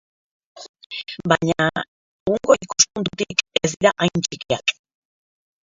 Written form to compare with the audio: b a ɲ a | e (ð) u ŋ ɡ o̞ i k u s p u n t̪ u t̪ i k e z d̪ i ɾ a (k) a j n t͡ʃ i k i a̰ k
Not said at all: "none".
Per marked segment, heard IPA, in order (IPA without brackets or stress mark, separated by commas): ɣ, ʔ